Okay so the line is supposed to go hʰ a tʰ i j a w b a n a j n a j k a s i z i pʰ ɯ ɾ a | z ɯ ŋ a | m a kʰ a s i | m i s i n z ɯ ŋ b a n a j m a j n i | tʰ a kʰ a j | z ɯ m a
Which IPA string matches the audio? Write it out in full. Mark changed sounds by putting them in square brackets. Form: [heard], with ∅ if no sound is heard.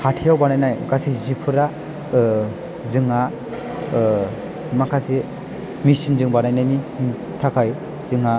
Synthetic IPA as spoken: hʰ a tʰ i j a w b a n a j n a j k a s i z i pʰ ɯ ɾ a | z ɯ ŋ a | m a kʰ a s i | m i s i n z ɯ ŋ b a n a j [n] a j n i | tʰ a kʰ a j | z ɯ [ŋ] a